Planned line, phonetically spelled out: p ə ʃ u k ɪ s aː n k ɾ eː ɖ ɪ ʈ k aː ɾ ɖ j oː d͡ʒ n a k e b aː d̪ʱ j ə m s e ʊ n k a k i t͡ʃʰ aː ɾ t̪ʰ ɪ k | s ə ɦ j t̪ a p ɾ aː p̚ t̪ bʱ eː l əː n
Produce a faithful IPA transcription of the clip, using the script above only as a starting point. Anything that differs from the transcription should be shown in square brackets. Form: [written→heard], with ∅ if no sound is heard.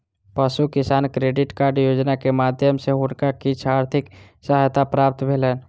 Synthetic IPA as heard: p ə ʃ u k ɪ s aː n k ɾ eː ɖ ɪ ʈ k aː ɾ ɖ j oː d͡ʒ n a k e [b→m] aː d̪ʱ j ə m s e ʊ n k a k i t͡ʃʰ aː ɾ t̪ʰ ɪ k | s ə ɦ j t̪ a p ɾ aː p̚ t̪ bʱ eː l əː n